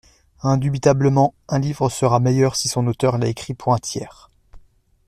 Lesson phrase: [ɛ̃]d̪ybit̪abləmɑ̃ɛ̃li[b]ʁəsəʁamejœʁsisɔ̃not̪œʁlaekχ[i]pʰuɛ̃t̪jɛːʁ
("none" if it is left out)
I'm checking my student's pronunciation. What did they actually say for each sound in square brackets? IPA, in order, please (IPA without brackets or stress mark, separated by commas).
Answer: ɛ̃, v, i